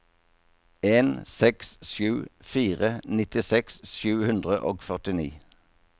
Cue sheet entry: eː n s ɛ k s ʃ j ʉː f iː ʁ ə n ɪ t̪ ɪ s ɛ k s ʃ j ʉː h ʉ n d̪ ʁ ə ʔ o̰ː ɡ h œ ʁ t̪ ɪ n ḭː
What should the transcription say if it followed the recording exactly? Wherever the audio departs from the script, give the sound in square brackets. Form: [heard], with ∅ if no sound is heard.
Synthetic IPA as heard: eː n s ɛ k s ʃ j ʉː f iː ʁ ə n ɪ t̪ ɪ s ɛ k s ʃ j ʉː h ʉ n d̪ ʁ ə ʔ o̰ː ɡ [f] œ ʁ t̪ ɪ n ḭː